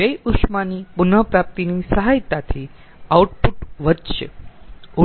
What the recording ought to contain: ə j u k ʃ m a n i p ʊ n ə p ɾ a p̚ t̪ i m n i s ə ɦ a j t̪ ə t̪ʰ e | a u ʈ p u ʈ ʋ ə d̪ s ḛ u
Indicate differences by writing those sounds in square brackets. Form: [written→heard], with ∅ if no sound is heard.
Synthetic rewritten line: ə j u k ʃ m a n i p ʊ n ə p ɾ a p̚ t̪ i [m→∅] n i s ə ɦ a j t̪ [ə→a] t̪ʰ [e→i] | a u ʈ p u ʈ ʋ ə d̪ [s→ʃ] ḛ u